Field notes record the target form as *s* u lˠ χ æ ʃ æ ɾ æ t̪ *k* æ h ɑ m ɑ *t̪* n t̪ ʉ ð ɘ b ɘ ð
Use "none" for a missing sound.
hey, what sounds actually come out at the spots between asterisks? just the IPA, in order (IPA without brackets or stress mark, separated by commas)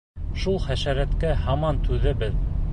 ʃ, k, none